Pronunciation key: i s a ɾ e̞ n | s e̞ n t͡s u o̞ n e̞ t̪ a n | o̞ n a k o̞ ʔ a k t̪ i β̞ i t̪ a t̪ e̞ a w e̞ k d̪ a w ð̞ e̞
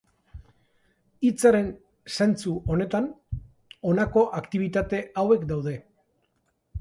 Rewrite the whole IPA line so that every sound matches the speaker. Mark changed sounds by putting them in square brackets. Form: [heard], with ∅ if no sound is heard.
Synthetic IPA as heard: i [t͡s] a ɾ e̞ n | s e̞ n t͡s u o̞ n e̞ t̪ a n | o̞ n a k o̞ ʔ a k t̪ i β̞ i t̪ a t̪ e̞ a w e̞ k d̪ a w ð̞ e̞